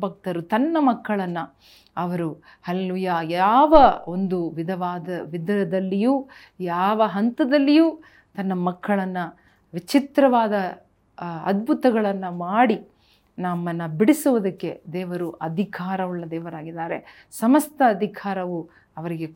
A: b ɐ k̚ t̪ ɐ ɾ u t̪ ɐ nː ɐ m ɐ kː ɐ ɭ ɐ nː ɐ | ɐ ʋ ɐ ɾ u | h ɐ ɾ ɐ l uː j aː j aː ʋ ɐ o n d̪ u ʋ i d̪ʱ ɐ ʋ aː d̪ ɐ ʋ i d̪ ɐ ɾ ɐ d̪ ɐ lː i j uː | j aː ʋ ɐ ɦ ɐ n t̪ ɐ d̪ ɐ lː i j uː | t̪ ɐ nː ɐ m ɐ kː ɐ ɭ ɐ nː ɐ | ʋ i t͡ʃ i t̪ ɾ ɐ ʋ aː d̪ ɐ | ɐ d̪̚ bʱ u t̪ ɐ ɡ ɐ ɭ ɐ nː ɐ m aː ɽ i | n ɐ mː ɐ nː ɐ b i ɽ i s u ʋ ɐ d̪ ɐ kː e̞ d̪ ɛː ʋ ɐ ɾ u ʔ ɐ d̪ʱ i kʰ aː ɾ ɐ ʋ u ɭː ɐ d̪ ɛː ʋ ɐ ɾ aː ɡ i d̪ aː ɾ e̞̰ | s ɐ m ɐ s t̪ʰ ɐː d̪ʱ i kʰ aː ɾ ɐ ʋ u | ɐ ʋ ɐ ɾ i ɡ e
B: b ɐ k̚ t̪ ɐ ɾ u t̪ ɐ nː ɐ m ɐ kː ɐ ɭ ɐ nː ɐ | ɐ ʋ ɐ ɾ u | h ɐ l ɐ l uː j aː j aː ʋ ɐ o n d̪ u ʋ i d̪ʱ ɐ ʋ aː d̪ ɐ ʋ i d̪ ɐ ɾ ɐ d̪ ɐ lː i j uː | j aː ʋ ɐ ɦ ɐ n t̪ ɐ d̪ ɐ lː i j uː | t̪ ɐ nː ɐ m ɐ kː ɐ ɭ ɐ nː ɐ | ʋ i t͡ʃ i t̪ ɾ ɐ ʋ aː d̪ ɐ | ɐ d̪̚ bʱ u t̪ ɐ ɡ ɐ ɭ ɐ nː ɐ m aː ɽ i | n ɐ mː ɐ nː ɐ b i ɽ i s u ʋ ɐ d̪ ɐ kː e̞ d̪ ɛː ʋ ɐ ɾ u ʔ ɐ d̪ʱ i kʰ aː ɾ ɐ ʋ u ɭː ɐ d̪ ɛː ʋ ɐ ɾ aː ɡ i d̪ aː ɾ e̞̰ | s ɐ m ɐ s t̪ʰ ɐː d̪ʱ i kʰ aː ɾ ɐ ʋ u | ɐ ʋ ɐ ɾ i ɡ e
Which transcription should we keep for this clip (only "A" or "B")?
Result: B